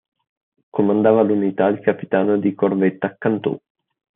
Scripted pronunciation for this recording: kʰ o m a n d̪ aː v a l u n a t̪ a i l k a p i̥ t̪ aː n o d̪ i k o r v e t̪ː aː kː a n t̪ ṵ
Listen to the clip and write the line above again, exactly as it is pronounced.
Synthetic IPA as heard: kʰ o m a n d̪ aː v a l u n i t̪ a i l k a p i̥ t̪ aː n o d̪ i k o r v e t̪ː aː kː a n t̪ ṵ